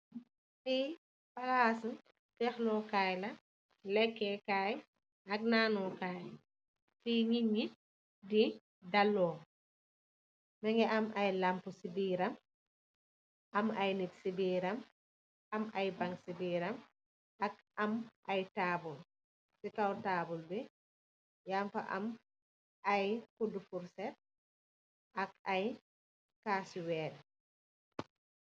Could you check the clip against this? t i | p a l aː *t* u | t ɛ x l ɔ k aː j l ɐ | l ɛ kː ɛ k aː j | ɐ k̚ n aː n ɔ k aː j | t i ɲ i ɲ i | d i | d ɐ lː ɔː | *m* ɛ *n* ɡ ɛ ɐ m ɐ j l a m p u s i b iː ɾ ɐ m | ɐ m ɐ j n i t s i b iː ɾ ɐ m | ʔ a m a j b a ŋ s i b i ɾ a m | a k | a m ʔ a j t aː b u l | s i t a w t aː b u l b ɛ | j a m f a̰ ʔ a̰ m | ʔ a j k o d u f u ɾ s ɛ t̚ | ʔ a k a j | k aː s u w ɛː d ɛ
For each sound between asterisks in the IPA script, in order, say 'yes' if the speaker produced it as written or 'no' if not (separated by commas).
no, yes, no